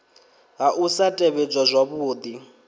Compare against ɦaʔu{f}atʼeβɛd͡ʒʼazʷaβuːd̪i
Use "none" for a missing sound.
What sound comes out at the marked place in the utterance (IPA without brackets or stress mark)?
s